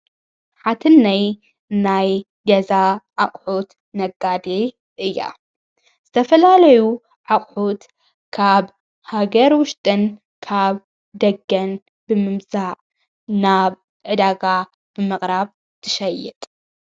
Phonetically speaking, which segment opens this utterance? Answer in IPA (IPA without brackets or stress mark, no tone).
ħ